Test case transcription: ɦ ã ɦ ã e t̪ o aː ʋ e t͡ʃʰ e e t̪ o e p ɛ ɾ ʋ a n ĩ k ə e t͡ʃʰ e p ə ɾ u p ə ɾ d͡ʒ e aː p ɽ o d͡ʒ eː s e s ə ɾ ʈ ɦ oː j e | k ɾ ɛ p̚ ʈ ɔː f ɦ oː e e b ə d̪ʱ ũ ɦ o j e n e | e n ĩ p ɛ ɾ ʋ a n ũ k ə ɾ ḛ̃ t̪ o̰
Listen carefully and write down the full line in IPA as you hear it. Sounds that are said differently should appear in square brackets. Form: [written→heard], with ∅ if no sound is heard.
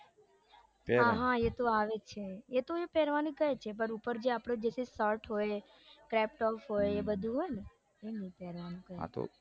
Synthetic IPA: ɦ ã ɦ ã e t̪ o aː ʋ e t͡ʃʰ e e t̪ o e p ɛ ɾ ʋ a n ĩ k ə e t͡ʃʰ e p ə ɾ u p ə ɾ d͡ʒ e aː p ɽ o d͡ʒ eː s e s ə ɾ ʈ ɦ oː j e | k ɾ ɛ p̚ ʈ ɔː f ɦ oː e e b ə d̪ʱ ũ ɦ o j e n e | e n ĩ p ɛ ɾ ʋ a n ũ k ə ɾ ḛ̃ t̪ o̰